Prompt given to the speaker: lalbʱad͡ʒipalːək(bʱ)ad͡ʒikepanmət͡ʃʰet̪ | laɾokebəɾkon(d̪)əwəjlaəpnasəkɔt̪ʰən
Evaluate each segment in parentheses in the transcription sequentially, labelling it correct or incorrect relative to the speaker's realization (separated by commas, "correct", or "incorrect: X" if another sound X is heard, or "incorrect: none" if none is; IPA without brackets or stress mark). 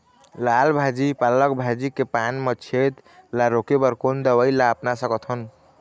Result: correct, correct